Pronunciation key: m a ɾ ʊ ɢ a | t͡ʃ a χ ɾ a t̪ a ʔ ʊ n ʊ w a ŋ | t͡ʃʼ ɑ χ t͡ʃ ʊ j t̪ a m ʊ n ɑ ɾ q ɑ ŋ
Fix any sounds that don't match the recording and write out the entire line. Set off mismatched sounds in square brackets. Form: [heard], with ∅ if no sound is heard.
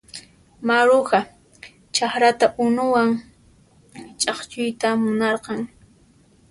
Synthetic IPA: m a ɾ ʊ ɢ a | t͡ʃ a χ ɾ a t̪ a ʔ ʊ n ʊ w a ŋ | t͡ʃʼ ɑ χ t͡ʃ ʊ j t̪ a m ʊ n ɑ ɾ q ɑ ŋ